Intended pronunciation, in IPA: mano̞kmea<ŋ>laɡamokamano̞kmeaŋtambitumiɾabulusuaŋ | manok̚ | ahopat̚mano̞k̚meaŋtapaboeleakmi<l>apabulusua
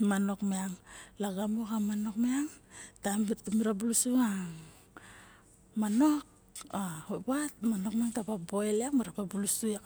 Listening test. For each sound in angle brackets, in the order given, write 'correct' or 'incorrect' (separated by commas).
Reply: correct, incorrect